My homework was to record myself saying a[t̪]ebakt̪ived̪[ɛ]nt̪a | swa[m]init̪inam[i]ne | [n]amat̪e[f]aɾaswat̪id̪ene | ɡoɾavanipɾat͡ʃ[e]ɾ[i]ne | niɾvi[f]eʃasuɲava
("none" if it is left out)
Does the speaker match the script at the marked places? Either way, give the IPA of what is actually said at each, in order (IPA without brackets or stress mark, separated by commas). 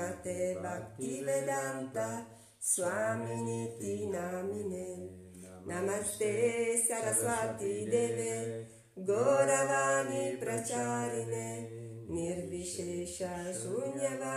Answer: t̪, a, m, i, n, s, a, i, ʃ